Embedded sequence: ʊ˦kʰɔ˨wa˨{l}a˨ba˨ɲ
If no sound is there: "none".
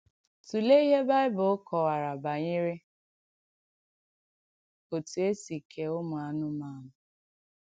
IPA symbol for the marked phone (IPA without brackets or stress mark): ɾ